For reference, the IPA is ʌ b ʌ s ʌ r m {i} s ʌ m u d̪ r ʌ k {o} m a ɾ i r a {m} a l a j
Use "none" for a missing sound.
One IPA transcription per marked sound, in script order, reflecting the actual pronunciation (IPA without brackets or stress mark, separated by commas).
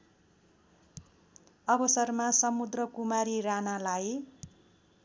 a, u, n